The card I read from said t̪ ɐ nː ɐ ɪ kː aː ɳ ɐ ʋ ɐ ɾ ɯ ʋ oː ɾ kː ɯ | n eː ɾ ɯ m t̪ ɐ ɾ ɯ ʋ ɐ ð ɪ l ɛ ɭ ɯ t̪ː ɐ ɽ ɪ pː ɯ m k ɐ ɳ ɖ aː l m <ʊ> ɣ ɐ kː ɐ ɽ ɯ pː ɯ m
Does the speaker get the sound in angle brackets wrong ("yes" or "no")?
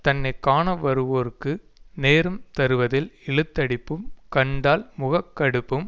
no